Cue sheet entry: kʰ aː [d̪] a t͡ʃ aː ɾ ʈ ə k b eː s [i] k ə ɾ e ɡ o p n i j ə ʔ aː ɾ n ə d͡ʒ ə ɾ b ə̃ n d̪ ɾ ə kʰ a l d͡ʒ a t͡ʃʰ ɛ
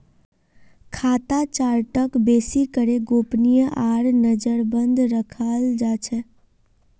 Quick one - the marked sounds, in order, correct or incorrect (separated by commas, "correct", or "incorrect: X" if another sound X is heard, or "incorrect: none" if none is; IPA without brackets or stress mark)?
incorrect: t̪, correct